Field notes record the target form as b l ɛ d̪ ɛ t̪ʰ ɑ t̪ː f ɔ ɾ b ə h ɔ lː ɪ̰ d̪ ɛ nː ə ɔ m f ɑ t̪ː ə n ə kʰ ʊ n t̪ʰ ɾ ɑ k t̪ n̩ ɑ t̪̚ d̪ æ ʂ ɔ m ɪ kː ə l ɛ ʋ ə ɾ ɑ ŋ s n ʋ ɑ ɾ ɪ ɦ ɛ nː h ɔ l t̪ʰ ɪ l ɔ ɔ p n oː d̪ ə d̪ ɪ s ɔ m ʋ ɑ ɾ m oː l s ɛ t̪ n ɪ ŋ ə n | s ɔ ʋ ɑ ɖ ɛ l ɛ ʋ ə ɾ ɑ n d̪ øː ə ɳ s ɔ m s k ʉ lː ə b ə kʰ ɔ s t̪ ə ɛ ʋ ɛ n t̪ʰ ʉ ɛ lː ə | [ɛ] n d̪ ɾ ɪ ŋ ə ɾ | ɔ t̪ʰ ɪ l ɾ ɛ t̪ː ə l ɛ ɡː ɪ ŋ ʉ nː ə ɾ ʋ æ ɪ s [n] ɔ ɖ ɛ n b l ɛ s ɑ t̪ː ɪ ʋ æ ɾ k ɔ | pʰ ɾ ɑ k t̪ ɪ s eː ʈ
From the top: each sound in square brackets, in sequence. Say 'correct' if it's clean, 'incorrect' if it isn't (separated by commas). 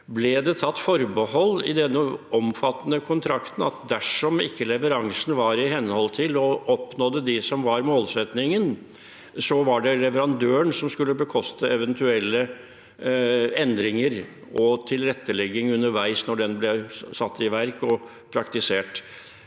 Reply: correct, correct